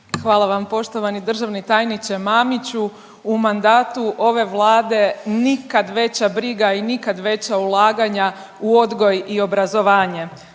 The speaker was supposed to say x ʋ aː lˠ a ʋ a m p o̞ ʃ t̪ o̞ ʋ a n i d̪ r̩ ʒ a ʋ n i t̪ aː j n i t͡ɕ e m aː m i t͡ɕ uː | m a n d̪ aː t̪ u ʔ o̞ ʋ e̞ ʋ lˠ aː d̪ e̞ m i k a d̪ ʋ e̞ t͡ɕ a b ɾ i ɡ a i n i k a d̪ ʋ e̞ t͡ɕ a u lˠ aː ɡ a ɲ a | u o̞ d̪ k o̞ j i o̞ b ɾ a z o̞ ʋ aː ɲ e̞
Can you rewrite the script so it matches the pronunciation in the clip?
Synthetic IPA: x ʋ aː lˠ a ʋ a m p o̞ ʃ t̪ o̞ ʋ a n i d̪ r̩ ʒ a ʋ n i t̪ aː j n i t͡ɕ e m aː m i t͡ɕ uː | m a n d̪ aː t̪ u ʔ o̞ ʋ e̞ ʋ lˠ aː d̪ e̞ n i k a d̪ ʋ e̞ t͡ɕ a b ɾ i ɡ a i n i k a d̪ ʋ e̞ t͡ɕ a u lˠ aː ɡ a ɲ a | u o̞ d̪ ɡ o̞ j i o̞ b ɾ a z o̞ ʋ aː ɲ e̞